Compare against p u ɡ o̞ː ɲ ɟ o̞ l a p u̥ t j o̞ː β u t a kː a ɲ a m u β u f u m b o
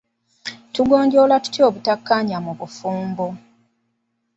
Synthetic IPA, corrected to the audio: t u ɡ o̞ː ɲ ɟ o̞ l a t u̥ t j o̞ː β u t a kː a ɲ a m u β u f uː m b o